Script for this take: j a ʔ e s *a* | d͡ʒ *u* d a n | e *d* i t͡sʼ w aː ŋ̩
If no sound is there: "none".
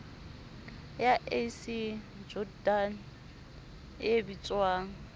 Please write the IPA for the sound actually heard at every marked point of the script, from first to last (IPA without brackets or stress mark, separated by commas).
i, ɔ, b